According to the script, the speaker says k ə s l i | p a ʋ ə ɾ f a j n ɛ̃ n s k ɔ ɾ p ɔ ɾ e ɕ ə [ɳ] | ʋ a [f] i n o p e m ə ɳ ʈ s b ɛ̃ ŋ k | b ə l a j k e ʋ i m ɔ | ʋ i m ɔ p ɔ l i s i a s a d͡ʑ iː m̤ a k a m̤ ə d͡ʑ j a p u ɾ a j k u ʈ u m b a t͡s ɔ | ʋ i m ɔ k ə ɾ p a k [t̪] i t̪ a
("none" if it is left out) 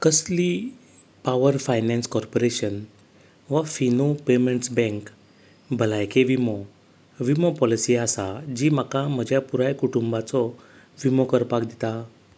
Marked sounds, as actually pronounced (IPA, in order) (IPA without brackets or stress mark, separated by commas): n, f, d̪